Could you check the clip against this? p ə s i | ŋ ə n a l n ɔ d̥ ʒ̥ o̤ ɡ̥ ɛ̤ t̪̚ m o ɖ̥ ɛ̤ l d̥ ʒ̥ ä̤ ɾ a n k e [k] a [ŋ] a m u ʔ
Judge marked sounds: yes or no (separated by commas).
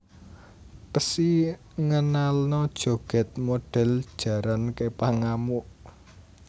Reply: no, yes